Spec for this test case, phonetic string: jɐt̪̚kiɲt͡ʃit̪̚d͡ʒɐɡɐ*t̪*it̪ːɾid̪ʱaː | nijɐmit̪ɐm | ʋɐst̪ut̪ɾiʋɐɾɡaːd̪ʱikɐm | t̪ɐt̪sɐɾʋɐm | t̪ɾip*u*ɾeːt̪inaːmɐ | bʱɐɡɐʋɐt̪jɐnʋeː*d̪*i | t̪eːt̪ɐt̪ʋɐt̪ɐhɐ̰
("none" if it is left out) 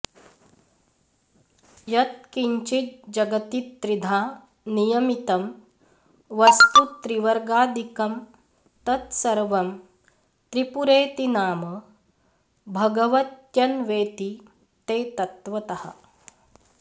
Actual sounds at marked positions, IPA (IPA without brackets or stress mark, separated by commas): t̪, u, t̪